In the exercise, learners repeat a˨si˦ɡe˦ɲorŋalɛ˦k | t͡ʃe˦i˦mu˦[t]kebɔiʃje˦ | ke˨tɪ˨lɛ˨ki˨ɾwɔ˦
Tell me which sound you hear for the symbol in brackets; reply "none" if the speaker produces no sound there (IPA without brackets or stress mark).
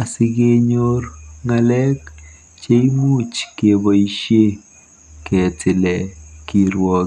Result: t͡ʃ